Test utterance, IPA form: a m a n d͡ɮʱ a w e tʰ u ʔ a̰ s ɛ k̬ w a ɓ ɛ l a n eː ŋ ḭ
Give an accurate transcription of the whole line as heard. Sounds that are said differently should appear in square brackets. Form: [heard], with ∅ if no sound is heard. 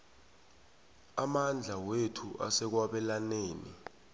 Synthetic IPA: a m a n d͡ɮʱ a w e tʰ u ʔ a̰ s ɛ k̬ w a ɓ ɛ l a n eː [n] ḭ